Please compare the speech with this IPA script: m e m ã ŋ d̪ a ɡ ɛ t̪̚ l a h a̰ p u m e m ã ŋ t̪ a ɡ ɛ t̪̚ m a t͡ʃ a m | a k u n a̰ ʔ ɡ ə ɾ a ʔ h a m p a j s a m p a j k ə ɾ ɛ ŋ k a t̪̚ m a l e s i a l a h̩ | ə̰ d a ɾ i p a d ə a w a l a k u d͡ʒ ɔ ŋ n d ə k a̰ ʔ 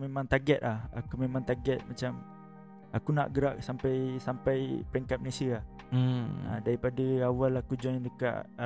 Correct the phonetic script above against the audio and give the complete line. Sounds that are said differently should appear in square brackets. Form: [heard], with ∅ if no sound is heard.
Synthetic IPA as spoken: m e m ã ŋ [t̪] a ɡ ɛ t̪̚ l a h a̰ [k] u m e m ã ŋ t̪ a ɡ ɛ t̪̚ m a t͡ʃ a m | a k u n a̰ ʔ ɡ ə ɾ a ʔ [s] a m p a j s a m p a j [p] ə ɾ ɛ ŋ k a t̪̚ m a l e s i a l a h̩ | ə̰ d a ɾ i p a d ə a w a l a k u d͡ʒ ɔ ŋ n d ə k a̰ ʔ